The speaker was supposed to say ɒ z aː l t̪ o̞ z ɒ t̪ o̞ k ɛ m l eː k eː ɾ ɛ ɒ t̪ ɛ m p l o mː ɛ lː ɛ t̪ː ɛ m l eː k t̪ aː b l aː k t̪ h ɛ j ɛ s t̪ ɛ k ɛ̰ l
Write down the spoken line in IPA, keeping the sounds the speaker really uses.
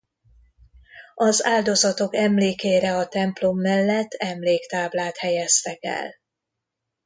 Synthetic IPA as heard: ɒ z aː l d̪ o̞ z ɒ t̪ o̞ k ɛ m l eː k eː ɾ ɛ ɒ t̪ ɛ m p l o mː ɛ lː ɛ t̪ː ɛ m l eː k t̪ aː b l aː t̪ h ɛ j ɛ s t̪ ɛ k ɛ̰ l